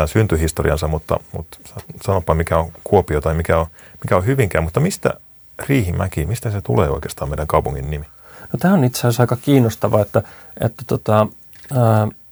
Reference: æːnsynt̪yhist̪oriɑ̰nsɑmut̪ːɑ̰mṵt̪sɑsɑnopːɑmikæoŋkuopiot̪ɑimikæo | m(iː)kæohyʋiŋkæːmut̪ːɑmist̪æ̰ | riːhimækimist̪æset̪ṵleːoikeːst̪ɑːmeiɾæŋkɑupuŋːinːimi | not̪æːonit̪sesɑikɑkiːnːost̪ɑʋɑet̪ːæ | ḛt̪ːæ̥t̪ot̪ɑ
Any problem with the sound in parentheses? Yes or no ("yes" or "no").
yes